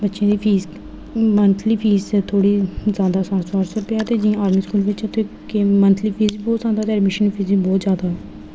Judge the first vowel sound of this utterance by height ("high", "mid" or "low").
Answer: mid